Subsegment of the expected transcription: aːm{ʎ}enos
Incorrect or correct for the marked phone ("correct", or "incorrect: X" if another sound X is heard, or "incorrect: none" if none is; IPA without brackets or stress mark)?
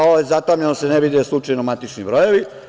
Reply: correct